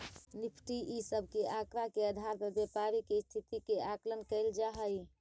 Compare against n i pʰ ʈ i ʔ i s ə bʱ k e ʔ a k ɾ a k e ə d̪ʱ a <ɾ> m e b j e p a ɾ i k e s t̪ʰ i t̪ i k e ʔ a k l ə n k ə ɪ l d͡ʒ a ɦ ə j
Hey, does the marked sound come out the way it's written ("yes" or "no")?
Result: yes